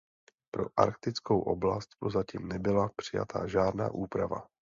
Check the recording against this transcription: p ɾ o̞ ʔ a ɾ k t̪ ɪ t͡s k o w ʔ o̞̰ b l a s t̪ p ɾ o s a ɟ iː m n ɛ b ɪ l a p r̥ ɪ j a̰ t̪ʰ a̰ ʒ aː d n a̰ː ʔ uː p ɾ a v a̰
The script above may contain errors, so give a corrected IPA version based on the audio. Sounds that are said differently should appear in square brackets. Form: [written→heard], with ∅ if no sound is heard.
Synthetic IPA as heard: p ɾ o̞ ʔ a ɾ k t̪ ɪ t͡s k o w ʔ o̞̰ b l a s t̪ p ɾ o [s→z] a [ɟ→c] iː m n ɛ b ɪ l a p r̥ ɪ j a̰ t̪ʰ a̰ ʒ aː d n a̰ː ʔ uː p ɾ a v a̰